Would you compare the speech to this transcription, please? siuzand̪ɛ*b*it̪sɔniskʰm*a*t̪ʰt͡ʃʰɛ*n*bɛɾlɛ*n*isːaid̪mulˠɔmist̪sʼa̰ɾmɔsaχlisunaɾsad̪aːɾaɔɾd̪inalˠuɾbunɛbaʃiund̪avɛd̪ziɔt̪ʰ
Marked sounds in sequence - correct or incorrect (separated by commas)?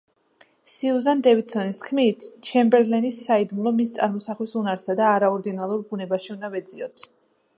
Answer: incorrect, incorrect, incorrect, correct